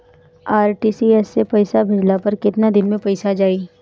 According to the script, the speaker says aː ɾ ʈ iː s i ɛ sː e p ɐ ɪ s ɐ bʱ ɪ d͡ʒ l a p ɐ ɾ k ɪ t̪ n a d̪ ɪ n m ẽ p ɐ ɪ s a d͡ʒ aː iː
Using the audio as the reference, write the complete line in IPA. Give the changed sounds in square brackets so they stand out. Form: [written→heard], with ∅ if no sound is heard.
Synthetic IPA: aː ɾ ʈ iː s i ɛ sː e p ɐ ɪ s [ɐ→a] bʱ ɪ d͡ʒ l a p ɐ ɾ k ɪ t̪ n a d̪ ɪ n m ẽ p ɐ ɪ s a d͡ʒ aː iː